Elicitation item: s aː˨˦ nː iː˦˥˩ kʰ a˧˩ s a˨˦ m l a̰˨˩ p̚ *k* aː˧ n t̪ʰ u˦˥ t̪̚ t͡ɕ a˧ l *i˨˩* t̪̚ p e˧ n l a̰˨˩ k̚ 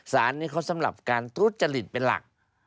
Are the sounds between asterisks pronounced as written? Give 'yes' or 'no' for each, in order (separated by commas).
yes, yes